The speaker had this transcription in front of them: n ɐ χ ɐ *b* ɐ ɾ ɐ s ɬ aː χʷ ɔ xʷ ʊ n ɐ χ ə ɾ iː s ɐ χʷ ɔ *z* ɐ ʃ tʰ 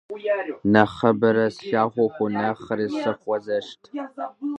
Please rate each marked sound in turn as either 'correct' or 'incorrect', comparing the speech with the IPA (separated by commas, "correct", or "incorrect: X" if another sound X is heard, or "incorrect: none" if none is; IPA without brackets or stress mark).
correct, correct